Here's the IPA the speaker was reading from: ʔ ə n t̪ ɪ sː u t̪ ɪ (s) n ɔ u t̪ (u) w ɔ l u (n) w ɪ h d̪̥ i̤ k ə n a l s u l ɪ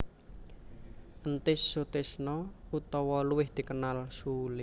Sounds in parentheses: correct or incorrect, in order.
correct, incorrect: ɔ, incorrect: none

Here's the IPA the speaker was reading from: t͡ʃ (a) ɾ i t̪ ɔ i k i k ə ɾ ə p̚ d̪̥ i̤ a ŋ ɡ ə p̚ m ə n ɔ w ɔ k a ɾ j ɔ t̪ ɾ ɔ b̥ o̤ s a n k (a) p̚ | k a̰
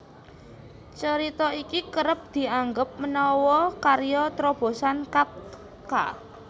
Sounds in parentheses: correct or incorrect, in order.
incorrect: ə, correct

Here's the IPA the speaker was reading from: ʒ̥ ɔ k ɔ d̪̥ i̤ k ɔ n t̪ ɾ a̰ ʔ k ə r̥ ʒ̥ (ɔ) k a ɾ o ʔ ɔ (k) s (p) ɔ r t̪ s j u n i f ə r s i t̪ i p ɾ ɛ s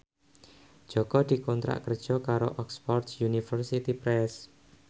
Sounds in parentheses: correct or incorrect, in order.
correct, correct, correct

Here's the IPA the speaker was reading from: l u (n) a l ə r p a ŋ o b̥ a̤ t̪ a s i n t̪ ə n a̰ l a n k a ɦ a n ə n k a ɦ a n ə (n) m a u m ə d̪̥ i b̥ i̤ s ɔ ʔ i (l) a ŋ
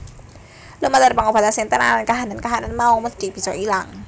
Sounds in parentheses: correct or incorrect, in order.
incorrect: m, correct, correct

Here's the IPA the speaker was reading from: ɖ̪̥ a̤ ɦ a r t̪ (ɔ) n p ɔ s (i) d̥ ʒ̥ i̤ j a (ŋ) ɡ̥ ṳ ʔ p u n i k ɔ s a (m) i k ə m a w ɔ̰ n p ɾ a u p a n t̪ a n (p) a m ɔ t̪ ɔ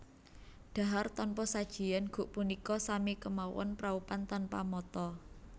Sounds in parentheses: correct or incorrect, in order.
correct, incorrect: a, incorrect: n, correct, correct

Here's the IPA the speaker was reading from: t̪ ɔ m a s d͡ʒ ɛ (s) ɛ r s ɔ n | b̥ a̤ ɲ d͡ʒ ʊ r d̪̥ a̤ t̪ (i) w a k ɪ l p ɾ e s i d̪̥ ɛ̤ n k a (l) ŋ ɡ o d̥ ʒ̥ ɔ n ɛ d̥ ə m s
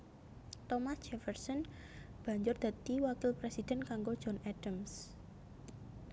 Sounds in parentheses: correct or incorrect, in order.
incorrect: f, correct, incorrect: none

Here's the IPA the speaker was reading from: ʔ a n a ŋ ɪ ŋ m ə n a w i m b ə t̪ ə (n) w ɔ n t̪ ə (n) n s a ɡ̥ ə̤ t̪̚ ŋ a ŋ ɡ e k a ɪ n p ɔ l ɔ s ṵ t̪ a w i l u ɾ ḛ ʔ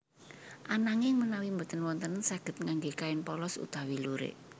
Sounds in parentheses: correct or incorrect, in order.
correct, correct

